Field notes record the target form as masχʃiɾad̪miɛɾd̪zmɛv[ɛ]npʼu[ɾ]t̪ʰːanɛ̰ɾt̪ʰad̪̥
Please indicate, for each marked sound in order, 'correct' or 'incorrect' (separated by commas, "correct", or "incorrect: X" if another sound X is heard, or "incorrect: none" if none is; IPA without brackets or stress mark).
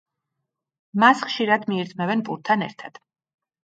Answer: correct, correct